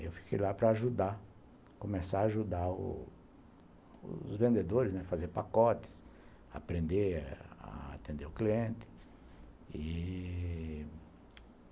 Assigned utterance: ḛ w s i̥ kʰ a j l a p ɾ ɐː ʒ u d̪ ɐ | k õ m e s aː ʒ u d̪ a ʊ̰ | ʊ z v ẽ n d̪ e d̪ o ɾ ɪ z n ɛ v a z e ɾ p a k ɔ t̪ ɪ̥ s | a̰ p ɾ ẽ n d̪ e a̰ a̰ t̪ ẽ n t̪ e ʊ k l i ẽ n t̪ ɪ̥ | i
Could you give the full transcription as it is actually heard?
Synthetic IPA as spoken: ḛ w f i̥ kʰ e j l a p ɾ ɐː ʒ u d̪ a | k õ m e s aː ʒ u d̪ a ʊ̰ | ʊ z v ẽ n d̪ e d̪ o ɾ ɪ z n ɛ f a z e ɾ p a k ɔ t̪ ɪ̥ s | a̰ p ɾ ẽ n d̪ e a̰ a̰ t̪ ẽ n d̪ e ʊ k l i ẽ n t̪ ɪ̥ | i